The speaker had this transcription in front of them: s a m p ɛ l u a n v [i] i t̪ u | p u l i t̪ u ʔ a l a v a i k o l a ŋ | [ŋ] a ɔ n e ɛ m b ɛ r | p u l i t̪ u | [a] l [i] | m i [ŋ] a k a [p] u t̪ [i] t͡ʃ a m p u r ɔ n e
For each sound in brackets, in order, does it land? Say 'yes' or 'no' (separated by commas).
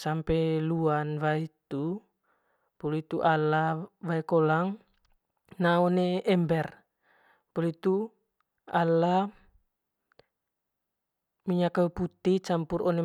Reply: no, no, yes, no, no, yes, yes